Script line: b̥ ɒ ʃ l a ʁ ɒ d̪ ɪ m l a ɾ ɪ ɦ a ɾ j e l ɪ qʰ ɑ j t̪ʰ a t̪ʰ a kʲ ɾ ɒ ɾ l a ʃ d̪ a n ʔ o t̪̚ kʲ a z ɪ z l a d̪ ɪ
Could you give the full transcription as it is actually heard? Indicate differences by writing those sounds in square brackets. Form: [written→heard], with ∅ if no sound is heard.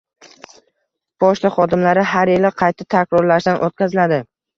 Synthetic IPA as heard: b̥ ɒ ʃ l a [ʁ→χ] ɒ d̪ ɪ m l a ɾ ɪ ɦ a ɾ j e l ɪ qʰ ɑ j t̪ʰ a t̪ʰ a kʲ ɾ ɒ ɾ l a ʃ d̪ a n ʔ o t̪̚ kʲ a z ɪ [z→∅] l a d̪ ɪ